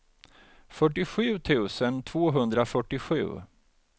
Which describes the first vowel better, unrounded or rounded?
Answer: rounded